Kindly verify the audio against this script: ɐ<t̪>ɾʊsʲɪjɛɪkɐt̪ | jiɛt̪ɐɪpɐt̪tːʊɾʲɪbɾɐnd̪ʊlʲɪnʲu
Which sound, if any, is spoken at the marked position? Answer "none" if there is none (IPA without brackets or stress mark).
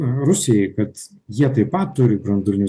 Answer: none